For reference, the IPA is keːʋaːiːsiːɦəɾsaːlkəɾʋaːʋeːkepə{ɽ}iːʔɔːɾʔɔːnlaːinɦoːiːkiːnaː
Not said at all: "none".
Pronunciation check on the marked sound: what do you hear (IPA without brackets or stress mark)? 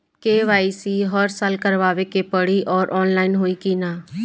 ɽ